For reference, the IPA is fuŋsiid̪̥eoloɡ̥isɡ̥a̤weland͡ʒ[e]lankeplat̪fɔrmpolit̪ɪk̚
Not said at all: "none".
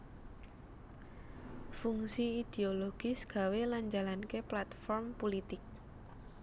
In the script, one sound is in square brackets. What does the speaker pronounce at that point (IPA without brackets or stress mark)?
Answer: a